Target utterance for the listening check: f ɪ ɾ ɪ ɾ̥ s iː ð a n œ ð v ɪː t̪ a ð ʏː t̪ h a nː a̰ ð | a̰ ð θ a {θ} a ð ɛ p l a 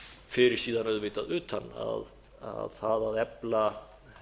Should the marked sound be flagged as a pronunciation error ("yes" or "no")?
yes